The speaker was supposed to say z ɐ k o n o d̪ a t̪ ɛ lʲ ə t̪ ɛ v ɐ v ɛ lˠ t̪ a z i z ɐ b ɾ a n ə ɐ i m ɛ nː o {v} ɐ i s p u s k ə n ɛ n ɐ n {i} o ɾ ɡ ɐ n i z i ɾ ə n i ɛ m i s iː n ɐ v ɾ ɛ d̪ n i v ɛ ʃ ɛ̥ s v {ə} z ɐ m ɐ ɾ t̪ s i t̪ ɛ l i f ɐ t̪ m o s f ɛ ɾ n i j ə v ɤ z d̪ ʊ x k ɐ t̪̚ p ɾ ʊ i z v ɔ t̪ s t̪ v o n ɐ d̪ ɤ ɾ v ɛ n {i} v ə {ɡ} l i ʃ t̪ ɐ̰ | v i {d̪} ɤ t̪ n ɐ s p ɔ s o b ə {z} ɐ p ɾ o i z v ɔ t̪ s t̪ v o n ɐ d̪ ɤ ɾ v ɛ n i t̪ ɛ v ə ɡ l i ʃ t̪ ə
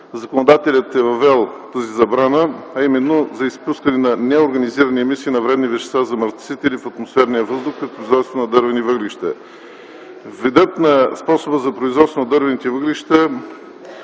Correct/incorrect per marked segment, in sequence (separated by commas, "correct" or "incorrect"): incorrect, incorrect, incorrect, correct, correct, correct, correct